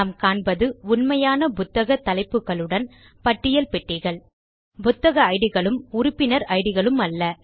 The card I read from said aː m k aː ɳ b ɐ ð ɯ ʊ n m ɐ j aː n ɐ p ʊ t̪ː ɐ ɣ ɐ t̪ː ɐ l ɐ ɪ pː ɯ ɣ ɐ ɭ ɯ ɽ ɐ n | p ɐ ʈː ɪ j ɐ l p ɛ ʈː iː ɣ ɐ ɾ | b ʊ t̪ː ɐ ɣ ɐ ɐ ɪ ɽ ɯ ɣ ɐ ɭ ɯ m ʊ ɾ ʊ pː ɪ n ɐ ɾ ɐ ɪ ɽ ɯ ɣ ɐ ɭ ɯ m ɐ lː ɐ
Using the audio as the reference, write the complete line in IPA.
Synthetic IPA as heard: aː m k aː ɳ b ɐ ð ɯ ʊ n m ɐ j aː n ɐ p ʊ t̪ː ɐ ɣ ɐ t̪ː ɐ l ɐ ɪ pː ɯ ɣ ɐ ɭ ɯ ɽ ɐ n | p ɐ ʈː ɪ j ɐ l p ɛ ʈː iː ɣ ɐ ɭ | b ʊ t̪ː ɐ ɣ ɐ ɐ ɪ ɽ ɯ ɣ ɐ ɭ ɯ m ʊ ɾ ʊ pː ɪ n ɐ ɾ ɐ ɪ ɽ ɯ ɣ ɐ ɭ ɯ m ɐ lː ɐ